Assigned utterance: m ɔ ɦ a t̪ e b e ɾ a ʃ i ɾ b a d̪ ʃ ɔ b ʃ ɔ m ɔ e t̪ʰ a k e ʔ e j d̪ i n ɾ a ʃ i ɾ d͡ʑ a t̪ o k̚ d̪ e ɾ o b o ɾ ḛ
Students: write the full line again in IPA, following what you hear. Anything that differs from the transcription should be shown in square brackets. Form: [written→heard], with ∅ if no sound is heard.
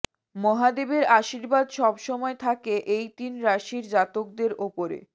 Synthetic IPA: m ɔ ɦ a [t̪→d̪] e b e ɾ a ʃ i ɾ b a d̪ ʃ ɔ b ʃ ɔ m ɔ e t̪ʰ a k e ʔ e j [d̪→t̪] i n ɾ a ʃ i ɾ d͡ʑ a t̪ o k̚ d̪ e ɾ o [b→p] o ɾ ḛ